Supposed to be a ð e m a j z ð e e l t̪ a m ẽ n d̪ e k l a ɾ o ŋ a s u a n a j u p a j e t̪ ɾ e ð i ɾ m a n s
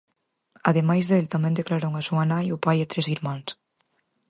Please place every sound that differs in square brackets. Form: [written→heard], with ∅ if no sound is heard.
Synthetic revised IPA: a ð e m a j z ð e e l t̪ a m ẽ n d̪ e k l a ɾ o ŋ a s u a n a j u p a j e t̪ ɾ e [ð→z] i ɾ m a n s